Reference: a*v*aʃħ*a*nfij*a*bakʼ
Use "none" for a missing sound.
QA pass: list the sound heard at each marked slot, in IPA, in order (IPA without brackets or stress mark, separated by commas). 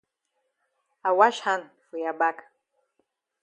w, a, a